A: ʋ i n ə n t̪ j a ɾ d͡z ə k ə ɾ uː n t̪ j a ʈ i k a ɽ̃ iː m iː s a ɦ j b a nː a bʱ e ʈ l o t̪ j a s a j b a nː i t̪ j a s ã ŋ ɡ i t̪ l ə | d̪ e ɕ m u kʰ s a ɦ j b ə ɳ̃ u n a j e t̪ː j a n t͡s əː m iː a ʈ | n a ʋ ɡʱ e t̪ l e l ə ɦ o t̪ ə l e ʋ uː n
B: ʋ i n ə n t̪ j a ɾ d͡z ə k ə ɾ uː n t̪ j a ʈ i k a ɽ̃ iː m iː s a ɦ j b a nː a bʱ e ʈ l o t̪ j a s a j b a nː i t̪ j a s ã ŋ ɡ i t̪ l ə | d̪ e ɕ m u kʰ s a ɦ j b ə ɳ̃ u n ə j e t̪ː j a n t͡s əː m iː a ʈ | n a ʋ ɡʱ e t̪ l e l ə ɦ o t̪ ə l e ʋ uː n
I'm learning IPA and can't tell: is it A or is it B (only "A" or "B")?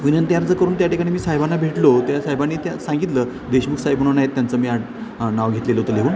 A